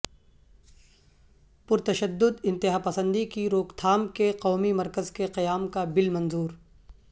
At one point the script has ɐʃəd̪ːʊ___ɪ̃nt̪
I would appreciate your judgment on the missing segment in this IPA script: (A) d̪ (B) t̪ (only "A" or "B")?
A